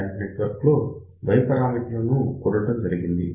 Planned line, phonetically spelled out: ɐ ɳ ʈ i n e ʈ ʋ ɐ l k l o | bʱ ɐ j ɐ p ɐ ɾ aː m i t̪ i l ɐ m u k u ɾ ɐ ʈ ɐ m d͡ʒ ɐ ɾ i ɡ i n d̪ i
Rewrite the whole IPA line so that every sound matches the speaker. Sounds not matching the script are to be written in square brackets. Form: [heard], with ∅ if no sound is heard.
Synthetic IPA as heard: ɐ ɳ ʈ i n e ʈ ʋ ɐ [ɾ] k l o | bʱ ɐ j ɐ p ɐ ɾ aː m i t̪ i l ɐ [n] u k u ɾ ɐ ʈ ɐ m d͡ʒ ɐ ɾ i ɡ i n d̪ i